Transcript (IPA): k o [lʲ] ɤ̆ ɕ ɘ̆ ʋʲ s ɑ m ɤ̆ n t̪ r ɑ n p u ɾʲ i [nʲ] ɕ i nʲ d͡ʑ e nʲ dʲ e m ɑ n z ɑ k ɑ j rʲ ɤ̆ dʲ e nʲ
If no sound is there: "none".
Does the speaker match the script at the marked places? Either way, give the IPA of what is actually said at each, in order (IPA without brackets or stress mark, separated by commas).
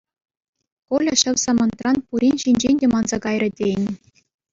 lʲ, nʲ